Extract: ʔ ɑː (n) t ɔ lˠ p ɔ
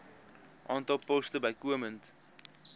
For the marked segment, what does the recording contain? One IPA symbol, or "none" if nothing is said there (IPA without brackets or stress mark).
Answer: n